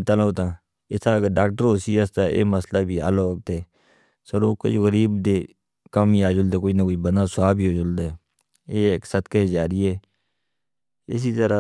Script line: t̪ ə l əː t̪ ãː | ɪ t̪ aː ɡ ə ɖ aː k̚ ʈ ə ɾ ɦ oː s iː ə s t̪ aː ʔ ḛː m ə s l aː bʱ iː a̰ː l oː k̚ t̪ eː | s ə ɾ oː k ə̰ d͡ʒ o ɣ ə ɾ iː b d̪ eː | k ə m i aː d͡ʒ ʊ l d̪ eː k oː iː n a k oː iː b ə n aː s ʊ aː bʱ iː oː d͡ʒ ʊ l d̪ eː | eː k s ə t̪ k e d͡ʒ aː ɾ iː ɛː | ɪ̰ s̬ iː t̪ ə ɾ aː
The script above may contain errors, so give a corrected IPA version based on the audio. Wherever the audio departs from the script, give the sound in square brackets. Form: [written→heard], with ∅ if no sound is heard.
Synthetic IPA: t̪ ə l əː t̪ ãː | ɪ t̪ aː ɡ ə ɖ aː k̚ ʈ ə ɾ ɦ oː s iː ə s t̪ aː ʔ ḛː m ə s l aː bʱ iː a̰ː l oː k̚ t̪ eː | s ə ɾ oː k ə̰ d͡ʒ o ɣ ə ɾ iː b d̪ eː | k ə m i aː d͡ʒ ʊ l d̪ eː k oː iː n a k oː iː b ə n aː s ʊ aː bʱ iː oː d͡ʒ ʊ l d̪ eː | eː k s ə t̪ k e d͡ʒ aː ɾ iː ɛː | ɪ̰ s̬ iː t̪ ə ɾ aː